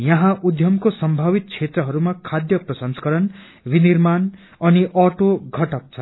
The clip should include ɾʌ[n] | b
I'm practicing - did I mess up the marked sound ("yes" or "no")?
no